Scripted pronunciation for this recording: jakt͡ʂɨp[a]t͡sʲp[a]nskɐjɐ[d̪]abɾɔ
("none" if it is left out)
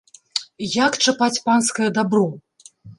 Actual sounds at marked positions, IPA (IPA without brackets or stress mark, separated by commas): a, a, d̪